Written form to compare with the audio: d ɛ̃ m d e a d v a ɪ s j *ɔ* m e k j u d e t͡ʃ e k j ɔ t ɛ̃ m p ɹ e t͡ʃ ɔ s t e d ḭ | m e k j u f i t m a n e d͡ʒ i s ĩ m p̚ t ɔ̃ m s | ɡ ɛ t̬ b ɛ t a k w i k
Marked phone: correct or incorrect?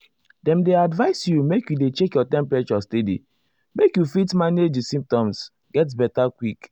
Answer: incorrect: u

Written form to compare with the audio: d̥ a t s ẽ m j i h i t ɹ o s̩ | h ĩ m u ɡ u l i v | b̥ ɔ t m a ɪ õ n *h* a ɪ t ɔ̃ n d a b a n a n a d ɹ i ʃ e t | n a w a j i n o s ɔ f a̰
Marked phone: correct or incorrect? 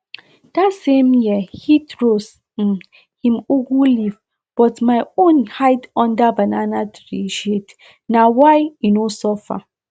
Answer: correct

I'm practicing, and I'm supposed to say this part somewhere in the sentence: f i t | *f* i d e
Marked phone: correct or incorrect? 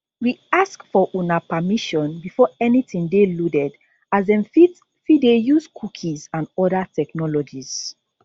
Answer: correct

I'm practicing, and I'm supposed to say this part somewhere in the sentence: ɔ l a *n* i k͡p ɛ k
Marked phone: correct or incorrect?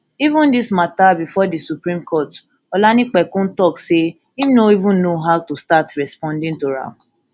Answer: correct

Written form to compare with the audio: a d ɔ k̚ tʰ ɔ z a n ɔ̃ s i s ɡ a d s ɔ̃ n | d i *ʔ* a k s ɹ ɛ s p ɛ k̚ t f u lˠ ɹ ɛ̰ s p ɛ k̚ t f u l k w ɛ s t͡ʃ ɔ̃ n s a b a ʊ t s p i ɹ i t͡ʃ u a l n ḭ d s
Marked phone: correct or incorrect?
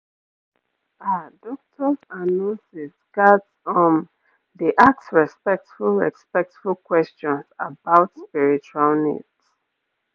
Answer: correct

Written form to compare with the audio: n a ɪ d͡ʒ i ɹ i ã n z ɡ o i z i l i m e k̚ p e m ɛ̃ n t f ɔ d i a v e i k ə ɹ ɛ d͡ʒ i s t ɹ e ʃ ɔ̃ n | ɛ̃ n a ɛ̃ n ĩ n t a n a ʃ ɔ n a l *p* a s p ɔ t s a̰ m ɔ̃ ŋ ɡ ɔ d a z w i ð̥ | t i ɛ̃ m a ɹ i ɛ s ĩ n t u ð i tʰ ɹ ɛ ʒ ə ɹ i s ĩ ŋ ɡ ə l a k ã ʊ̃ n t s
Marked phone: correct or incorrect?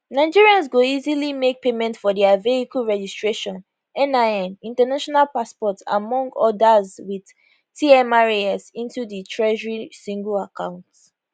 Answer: correct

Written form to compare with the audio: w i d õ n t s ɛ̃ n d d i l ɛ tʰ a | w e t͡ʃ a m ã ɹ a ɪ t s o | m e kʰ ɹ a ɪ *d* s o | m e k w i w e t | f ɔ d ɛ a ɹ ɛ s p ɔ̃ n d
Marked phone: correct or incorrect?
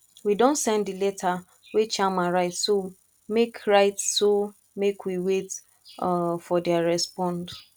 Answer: incorrect: t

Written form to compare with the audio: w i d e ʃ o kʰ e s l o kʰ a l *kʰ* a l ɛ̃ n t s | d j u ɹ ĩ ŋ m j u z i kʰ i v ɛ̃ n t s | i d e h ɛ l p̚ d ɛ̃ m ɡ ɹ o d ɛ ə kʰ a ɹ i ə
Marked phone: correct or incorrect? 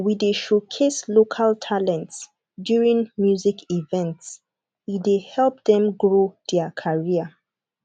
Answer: incorrect: tʰ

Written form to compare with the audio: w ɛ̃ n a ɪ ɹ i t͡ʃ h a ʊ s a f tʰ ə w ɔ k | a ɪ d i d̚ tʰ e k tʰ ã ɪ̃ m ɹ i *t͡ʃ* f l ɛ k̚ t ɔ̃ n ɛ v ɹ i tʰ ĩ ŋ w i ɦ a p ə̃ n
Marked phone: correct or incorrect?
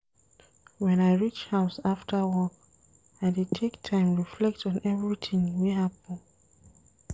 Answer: incorrect: none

